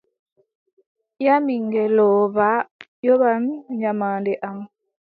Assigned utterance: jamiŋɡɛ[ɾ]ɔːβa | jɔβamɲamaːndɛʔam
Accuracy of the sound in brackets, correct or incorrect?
incorrect